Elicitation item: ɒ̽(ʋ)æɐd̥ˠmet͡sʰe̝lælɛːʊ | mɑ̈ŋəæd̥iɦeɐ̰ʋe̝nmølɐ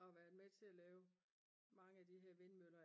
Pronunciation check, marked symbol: correct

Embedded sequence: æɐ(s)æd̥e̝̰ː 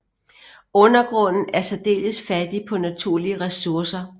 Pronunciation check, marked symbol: correct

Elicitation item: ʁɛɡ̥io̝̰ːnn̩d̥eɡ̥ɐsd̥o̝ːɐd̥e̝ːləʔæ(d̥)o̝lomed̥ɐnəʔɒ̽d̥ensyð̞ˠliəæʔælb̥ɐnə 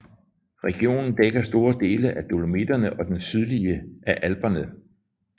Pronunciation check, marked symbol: correct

